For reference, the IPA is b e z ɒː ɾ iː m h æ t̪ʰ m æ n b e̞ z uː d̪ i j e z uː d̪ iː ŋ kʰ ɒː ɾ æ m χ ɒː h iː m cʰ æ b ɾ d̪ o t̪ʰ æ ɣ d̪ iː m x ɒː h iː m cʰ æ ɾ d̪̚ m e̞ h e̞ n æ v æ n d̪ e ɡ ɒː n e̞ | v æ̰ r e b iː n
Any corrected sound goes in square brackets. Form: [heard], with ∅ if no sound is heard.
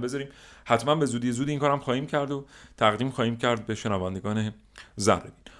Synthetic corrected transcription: b e z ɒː ɾ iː m h æ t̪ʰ m æ n b e̞ z uː d̪ i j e z uː d̪ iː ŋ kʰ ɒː ɾ æ m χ ɒː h iː m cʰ æ [∅] ɾ d̪ o t̪ʰ æ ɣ d̪ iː m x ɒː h iː m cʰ æ ɾ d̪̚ [b] e̞ [ʃ] e̞ n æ v æ n d̪ e ɡ ɒː n e̞ | [z] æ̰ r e b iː n